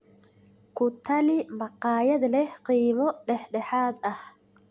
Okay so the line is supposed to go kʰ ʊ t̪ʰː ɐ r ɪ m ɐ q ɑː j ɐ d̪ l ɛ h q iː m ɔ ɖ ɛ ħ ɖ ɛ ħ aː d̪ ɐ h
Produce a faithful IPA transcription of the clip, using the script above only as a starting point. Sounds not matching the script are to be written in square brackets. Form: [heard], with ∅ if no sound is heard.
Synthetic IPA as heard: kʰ ʊ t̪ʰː ɐ [l] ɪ m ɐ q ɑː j ɐ d̪ l ɛ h q iː m ɔ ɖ ɛ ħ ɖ ɛ ħ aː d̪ ɐ h

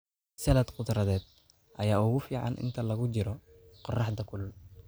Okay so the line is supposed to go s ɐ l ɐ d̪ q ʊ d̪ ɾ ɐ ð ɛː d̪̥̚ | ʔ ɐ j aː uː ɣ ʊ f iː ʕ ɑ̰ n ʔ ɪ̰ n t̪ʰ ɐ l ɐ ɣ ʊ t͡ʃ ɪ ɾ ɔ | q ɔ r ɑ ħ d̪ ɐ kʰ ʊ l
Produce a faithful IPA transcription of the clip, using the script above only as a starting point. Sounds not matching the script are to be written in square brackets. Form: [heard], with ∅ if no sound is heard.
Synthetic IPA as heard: s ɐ l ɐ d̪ q ʊ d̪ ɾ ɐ ð ɛː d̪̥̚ | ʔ ɐ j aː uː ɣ ʊ f iː ʕ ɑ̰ n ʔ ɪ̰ n t̪ʰ ɐ l ɐ ɣ ʊ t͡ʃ ɪ ɾ ɔ | q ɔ r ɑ ħ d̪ ɐ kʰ ʊ l

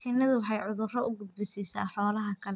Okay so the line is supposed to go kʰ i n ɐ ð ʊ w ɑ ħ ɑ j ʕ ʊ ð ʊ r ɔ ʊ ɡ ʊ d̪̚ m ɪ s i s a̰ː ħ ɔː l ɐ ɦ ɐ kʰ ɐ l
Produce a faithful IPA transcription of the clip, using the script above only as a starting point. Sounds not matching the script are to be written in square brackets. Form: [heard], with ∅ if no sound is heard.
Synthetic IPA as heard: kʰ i n ɐ ð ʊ w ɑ ħ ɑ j ʕ ʊ ð ʊ r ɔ ʊ ɡ ʊ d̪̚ [b] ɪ s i s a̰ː ħ ɔː l ɐ ɦ ɐ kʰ ɐ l

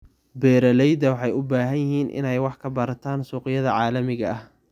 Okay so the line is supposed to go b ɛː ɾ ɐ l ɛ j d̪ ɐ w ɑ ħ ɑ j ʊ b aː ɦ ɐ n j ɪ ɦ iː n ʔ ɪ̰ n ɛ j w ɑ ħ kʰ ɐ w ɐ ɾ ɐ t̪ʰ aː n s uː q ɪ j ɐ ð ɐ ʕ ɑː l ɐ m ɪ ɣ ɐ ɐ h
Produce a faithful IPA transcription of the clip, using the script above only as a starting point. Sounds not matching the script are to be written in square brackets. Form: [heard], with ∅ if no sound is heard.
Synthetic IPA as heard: b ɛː ɾ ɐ l ɛ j d̪ ɐ w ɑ ħ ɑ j ʊ b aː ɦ ɐ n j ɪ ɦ iː n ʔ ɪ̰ n ɛ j w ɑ ħ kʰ ɐ [b] ɐ ɾ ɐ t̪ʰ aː n s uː q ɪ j ɐ ð ɐ ʕ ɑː l ɐ m ɪ ɣ ɐ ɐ h

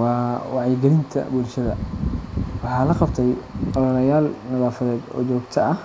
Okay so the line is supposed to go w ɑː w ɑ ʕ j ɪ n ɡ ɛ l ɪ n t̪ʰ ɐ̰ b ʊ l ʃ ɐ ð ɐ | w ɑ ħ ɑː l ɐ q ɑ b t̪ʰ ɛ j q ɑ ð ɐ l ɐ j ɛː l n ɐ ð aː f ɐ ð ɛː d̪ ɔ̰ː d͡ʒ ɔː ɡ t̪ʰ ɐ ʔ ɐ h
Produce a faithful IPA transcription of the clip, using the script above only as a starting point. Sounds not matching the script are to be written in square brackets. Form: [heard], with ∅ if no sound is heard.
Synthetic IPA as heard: w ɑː w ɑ ʕ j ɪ [∅] ɡ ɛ l ɪ n t̪ʰ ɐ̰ b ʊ l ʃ ɐ ð ɐ | w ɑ ħ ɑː l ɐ q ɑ b t̪ʰ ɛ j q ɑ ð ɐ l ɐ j [aː] l n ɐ ð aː f ɐ ð ɛː d̪ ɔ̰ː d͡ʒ ɔː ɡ t̪ʰ ɐ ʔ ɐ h

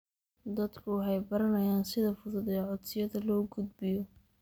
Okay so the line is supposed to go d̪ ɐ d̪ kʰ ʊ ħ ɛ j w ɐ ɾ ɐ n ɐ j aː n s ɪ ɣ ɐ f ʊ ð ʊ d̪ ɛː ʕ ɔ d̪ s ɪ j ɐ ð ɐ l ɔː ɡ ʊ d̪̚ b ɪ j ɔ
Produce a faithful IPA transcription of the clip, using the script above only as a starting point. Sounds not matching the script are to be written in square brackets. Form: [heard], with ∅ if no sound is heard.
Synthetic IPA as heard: d̪ ɐ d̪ kʰ ʊ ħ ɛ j [b] ɐ ɾ ɐ n ɐ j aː n s ɪ [ð] ɐ f ʊ ð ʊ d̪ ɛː ʕ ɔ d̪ s ɪ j ɐ ð ɐ l ɔː ɡ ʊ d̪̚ b ɪ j ɔ

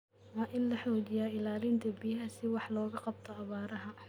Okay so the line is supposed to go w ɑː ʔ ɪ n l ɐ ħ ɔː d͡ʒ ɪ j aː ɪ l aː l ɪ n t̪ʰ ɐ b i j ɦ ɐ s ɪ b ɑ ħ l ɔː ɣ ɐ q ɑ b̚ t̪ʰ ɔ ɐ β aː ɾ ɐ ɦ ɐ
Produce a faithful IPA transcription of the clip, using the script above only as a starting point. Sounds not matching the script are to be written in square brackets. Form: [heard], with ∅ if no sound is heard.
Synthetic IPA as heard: w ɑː ʔ ɪ n l ɐ ħ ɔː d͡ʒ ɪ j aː ɪ l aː l ɪ n t̪ʰ ɐ b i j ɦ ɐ s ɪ [w] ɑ ħ l ɔː ɣ ɐ q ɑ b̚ t̪ʰ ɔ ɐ β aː ɾ ɐ ɦ ɐ

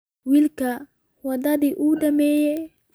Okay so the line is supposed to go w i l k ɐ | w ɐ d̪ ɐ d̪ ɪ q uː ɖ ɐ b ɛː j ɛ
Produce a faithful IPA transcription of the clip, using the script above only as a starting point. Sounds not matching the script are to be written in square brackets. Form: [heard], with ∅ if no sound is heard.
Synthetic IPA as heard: w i l k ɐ | w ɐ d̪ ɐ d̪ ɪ [ʔ] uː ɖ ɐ [m] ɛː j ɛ

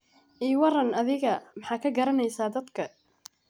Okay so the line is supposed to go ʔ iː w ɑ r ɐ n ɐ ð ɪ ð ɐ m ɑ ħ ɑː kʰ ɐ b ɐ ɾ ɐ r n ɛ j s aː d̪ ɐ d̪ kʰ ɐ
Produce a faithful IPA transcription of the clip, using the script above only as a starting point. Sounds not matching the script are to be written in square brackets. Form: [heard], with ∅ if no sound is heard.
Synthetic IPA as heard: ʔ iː w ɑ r ɐ n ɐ ð ɪ [ɣ] ɐ m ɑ ħ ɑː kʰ ɐ [ɡ] ɐ ɾ ɐ [∅] n ɛ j s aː d̪ ɐ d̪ kʰ ɐ

